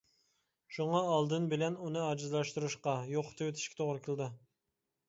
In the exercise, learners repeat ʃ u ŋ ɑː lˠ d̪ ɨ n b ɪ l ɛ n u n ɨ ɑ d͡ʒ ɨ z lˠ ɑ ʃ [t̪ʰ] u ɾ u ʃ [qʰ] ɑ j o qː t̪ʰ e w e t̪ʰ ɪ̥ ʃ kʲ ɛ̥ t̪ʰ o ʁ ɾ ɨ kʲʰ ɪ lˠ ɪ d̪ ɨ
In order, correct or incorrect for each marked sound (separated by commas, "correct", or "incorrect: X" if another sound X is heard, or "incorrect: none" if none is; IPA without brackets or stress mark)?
incorrect: t̪, incorrect: q